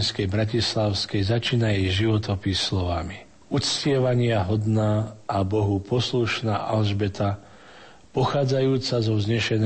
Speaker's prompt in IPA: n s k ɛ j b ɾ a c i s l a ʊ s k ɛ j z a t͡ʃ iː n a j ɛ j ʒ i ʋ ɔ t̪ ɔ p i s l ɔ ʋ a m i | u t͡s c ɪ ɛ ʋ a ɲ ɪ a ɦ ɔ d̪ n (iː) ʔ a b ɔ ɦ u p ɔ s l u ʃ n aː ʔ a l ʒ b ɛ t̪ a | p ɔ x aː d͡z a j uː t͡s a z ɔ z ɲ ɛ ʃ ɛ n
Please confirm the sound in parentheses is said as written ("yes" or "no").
no